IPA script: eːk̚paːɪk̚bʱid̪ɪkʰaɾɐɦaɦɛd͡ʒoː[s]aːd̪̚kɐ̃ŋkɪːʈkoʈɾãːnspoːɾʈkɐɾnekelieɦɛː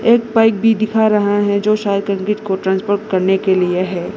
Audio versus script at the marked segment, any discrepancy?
yes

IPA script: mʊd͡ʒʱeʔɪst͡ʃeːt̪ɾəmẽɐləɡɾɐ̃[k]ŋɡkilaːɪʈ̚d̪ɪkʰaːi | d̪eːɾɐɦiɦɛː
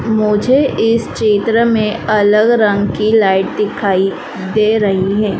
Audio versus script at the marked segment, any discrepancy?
yes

